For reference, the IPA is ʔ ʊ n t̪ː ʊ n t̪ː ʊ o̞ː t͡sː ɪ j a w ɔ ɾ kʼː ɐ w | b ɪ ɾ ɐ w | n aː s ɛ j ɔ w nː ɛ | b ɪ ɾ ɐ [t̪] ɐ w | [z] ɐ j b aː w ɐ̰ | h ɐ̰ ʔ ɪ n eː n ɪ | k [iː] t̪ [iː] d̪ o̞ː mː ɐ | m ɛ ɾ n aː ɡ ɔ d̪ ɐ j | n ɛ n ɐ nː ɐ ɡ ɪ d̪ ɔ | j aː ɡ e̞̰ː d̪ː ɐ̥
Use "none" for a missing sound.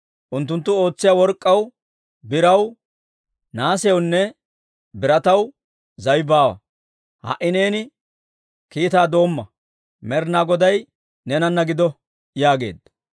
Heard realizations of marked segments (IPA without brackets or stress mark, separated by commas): t̪, z, iː, aː